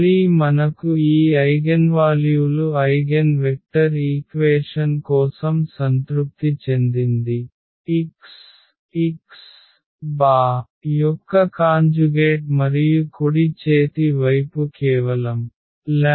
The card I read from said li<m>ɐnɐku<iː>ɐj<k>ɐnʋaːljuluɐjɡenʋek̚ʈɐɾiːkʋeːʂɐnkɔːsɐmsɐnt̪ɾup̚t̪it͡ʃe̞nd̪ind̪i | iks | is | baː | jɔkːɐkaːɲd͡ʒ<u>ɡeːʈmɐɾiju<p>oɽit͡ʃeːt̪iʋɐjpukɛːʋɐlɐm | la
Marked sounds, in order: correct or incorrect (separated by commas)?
correct, correct, incorrect, correct, incorrect